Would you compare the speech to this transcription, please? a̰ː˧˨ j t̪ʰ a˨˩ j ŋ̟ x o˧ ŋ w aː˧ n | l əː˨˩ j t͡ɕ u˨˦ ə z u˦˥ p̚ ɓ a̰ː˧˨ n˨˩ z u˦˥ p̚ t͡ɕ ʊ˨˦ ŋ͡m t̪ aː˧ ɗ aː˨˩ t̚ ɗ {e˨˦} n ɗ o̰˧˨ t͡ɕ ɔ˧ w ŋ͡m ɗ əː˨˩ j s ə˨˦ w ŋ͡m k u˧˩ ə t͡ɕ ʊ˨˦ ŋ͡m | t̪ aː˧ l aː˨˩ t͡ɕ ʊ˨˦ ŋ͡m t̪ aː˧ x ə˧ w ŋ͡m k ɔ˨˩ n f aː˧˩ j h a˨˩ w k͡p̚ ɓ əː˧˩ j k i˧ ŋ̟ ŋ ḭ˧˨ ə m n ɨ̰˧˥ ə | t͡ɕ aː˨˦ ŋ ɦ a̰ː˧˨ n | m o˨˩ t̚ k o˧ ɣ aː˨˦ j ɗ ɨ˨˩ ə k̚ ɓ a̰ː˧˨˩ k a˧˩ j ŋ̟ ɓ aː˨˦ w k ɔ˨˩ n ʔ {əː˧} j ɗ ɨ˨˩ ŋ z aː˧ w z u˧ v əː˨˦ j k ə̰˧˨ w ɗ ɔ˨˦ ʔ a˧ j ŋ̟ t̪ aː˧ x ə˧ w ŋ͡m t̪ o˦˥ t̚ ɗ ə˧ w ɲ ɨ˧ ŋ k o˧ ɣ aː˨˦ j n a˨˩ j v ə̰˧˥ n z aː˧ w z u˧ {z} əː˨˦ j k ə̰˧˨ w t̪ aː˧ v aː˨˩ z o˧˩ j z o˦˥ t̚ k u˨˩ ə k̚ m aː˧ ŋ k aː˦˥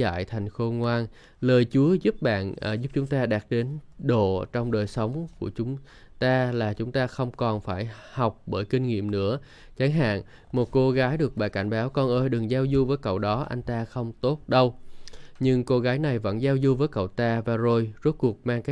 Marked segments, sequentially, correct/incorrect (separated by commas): correct, correct, incorrect